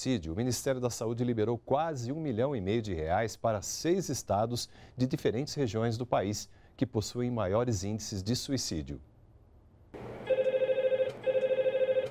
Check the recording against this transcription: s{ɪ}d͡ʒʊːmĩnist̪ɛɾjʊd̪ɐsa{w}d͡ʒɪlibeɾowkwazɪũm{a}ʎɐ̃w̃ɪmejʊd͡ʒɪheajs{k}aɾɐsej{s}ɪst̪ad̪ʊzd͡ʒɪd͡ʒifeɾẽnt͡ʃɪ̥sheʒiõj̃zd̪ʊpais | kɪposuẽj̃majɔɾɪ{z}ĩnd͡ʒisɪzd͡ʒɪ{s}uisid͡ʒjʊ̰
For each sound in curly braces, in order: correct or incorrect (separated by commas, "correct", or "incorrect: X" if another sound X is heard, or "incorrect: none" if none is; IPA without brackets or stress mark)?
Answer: incorrect: i, incorrect: u, incorrect: i, incorrect: p, incorrect: z, correct, correct